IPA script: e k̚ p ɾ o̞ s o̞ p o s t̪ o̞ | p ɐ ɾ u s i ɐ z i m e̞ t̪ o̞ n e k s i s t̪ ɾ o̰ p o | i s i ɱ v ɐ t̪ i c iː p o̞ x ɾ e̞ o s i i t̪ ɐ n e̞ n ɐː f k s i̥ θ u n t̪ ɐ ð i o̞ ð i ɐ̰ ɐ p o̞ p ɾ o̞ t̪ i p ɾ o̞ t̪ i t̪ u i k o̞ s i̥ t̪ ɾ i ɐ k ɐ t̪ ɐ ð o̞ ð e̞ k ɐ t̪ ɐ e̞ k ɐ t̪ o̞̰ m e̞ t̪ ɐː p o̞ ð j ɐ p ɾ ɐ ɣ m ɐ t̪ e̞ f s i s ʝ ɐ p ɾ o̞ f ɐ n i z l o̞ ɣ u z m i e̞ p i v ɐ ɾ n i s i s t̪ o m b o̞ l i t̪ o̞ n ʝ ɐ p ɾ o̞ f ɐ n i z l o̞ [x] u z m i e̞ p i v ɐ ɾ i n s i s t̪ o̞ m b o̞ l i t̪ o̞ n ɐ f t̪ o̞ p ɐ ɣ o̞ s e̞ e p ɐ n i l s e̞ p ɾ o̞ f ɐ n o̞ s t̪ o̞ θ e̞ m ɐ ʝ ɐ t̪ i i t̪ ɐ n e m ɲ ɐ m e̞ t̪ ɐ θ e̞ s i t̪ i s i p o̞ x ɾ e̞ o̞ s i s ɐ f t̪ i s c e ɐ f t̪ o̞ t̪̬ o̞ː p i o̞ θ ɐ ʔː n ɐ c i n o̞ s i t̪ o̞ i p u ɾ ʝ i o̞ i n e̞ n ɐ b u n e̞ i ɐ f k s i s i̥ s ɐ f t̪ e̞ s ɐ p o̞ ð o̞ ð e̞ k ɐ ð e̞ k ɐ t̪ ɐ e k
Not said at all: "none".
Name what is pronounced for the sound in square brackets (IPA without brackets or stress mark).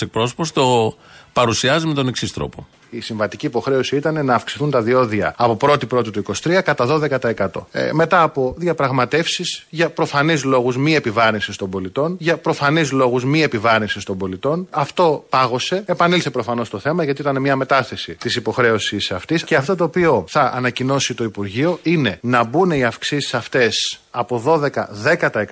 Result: ɣ